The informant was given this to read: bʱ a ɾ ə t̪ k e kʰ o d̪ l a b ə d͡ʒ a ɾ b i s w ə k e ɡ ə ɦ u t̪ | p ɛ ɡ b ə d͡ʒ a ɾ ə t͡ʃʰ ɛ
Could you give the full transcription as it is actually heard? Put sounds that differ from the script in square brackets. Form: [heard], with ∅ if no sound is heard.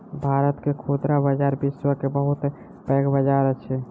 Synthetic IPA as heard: bʱ a ɾ ə t̪ k e kʰ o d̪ [ɾ] a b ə d͡ʒ a ɾ b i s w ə k e [b] ə ɦ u t̪ | p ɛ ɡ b ə d͡ʒ a ɾ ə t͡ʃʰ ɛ